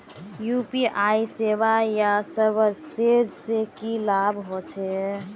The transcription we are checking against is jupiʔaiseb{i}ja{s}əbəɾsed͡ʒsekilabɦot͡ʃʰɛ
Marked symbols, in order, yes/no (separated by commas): no, yes